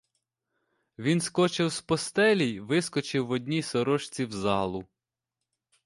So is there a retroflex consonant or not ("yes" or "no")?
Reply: no